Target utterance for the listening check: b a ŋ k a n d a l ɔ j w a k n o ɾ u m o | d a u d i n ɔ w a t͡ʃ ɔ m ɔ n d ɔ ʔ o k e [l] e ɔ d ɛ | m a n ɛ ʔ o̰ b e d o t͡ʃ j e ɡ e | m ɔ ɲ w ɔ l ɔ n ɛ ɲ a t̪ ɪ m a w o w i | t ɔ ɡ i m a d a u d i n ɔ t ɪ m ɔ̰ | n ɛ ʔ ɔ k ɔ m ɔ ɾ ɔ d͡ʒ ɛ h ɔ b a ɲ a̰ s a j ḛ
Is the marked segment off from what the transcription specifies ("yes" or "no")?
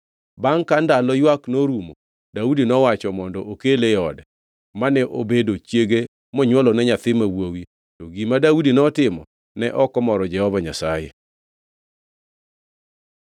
no